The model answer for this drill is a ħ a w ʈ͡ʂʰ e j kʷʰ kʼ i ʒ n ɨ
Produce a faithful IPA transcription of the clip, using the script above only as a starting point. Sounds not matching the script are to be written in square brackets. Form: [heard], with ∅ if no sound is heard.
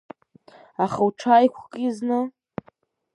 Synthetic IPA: a [χ] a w ʈ͡ʂʰ [a] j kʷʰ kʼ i [z] n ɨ